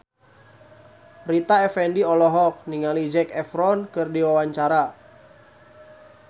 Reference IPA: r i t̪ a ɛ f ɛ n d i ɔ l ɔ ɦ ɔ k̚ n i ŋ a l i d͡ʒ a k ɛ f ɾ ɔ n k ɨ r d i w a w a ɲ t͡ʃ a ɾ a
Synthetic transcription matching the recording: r i t̪ a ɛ f ɛ n d i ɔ l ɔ ɦ ɔ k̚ n i ŋ a l i d͡ʒ ɛ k ɛ f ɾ ɔ n k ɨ r d i w a w a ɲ t͡ʃ a ɾ a